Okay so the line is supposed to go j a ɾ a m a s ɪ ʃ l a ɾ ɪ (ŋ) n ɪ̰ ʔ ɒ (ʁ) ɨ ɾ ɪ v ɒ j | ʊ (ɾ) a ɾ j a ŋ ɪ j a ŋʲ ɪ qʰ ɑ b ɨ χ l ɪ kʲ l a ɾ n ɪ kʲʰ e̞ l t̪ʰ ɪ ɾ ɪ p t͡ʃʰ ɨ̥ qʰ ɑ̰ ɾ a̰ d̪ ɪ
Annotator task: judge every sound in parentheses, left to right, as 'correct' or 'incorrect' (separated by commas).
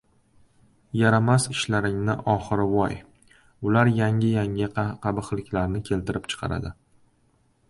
correct, incorrect, incorrect